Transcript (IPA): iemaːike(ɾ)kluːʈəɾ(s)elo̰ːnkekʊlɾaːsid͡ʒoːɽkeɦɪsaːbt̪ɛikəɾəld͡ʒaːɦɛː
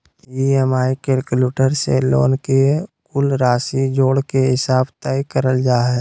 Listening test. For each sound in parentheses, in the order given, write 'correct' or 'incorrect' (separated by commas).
correct, correct